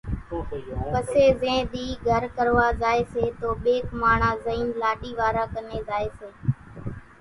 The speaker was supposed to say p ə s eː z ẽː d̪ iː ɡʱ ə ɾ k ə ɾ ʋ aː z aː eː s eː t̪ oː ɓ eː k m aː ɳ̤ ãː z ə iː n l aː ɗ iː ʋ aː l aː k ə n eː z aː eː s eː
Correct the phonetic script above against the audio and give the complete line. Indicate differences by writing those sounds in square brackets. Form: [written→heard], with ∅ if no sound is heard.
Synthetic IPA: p ə s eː z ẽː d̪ iː ɡʱ ə ɾ k ə ɾ ʋ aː z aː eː s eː t̪ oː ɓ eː k m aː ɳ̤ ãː z ə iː n l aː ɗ iː ʋ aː [l→ɾ] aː k ə n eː z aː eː s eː